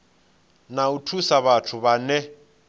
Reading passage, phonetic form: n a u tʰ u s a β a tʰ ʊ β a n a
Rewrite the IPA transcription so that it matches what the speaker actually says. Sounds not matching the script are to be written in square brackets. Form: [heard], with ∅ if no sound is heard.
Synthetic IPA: n a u tʰ u s a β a tʰ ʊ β a n [ɛ]